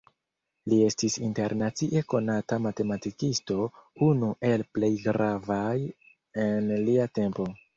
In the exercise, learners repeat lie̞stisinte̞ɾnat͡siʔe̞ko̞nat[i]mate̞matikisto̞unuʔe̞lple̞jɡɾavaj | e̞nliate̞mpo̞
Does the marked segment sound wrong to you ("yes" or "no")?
yes